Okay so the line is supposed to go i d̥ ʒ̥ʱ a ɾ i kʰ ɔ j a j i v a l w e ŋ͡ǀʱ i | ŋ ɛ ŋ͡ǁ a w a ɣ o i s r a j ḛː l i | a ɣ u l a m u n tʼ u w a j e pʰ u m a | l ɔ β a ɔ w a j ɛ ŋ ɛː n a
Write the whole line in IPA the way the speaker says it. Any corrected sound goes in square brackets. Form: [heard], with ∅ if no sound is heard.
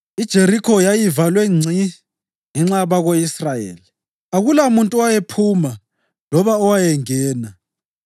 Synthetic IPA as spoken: i d̥ ʒ̥ʱ [e] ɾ i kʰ ɔ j a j i v a l w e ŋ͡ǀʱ i | ŋ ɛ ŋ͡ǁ a [β] a ɣ o i s r a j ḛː l i | a ɣ u l a m u n tʼ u w a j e pʰ u m a | l ɔ β a ɔ w a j ɛ ŋ ɛː n a